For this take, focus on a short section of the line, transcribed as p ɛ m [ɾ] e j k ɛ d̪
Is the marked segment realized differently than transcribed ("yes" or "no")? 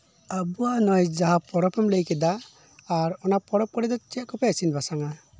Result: yes